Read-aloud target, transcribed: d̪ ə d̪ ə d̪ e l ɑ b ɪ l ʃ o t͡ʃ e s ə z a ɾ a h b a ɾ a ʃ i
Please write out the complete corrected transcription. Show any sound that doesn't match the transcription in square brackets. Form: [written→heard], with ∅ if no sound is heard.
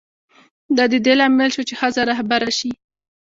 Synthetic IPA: d̪ [ə→ɑ] d̪ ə d̪ e l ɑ [b→m] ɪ l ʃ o t͡ʃ e [s→x] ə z a ɾ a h b a ɾ a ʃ i